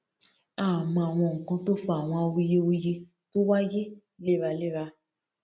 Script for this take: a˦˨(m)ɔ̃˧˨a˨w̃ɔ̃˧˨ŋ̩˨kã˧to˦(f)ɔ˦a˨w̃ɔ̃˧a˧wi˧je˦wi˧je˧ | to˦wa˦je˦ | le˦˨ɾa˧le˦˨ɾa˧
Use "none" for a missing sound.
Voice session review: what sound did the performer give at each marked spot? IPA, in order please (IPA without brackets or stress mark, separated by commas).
m, f